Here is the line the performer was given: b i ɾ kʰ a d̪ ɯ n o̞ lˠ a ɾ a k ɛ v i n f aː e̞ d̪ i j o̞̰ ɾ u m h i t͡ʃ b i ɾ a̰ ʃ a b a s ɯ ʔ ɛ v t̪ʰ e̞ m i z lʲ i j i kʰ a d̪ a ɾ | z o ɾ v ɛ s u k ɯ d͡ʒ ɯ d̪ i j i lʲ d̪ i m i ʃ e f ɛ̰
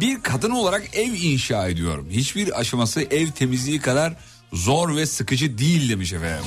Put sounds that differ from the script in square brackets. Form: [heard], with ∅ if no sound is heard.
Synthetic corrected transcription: b i ɾ kʰ a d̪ ɯ n o̞ lˠ a ɾ a k ɛ v i n [ʃ] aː e̞ d̪ i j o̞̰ ɾ u m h i t͡ʃ b i ɾ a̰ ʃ a [m] a s ɯ ʔ ɛ v t̪ʰ e̞ m i z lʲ i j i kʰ a d̪ a ɾ | z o ɾ v ɛ s [ɯ] k ɯ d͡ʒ ɯ d̪ i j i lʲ d̪ [e] m i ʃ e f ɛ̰